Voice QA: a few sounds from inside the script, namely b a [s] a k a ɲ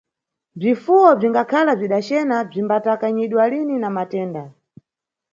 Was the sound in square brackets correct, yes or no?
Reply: no